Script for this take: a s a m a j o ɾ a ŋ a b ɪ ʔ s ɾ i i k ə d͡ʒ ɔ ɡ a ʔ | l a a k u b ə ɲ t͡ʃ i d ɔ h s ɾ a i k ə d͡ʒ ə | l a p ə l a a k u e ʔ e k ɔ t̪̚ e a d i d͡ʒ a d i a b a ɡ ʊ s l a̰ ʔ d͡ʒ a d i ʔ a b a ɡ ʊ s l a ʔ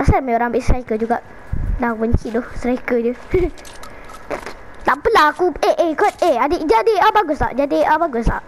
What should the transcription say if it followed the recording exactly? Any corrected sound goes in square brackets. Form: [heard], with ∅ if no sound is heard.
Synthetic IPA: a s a m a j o ɾ a ŋ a b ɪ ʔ s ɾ [a] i k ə d͡ʒ [u] ɡ a ʔ | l a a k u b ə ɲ t͡ʃ i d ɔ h s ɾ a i k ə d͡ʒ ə | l a p ə l a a k u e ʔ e k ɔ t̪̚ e a d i d͡ʒ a d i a b a ɡ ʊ s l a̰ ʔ d͡ʒ a d i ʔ a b a ɡ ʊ s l a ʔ

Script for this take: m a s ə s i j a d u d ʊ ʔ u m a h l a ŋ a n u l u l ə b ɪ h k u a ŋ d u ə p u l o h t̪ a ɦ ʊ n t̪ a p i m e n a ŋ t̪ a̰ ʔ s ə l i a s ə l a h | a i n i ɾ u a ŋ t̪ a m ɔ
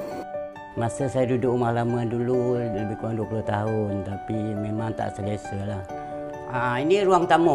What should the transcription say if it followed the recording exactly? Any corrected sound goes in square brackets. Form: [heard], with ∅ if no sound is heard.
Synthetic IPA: m a s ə s [a] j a d u d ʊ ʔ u m a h l a [m] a [d] u l u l ə b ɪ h k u a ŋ d u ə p u l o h t̪ a ɦ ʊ n t̪ a p i m e [m] a ŋ t̪ a̰ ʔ s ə l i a s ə l a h | a i n i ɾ u a ŋ t̪ a m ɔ

